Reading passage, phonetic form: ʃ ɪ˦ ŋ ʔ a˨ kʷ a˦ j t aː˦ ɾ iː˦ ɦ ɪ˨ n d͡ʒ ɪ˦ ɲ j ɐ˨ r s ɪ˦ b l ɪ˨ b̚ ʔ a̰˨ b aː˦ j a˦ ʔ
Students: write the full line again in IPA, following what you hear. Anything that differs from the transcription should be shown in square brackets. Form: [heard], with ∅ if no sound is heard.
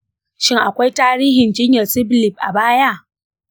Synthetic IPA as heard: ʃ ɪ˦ ŋ ʔ a˨ kʷ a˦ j t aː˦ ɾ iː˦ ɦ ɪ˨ n d͡ʒ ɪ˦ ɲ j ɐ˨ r s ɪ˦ b l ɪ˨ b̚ ʔ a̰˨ b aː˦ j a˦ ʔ